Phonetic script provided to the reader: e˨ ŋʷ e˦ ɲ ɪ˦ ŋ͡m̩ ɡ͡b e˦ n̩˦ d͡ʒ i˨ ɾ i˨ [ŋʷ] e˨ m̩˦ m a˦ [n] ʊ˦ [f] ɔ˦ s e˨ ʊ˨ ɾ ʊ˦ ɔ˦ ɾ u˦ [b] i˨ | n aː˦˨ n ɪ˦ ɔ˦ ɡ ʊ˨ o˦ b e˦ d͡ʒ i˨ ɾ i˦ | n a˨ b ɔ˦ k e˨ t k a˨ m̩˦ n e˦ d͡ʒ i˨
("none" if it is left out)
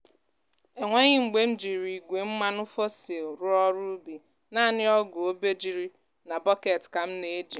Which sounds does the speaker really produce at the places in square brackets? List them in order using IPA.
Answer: ɡʷ, n, f, b

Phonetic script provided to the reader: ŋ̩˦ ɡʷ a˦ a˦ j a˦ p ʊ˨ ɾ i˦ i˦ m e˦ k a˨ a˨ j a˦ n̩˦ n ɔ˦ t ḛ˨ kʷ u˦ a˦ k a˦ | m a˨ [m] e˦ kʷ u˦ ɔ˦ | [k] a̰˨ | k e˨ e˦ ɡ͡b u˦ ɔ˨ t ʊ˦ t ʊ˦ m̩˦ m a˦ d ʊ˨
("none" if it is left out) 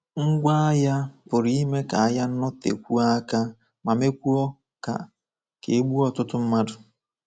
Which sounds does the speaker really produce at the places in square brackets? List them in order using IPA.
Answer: m, k

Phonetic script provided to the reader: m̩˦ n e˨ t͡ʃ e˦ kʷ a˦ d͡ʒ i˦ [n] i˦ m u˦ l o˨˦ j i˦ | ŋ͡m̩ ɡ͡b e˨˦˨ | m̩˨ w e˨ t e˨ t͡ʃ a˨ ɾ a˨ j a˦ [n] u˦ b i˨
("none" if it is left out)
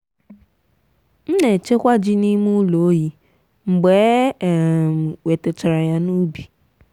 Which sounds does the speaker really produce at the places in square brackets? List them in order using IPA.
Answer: n, n

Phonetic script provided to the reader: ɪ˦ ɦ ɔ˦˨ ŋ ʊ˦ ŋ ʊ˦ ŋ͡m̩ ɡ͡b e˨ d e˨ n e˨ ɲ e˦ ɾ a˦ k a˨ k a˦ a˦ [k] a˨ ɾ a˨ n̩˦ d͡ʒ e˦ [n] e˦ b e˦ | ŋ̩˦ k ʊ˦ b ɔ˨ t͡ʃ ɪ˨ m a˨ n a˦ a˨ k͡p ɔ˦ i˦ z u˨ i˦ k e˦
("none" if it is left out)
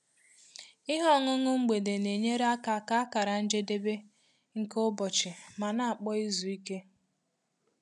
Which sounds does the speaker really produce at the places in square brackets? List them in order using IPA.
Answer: k, d

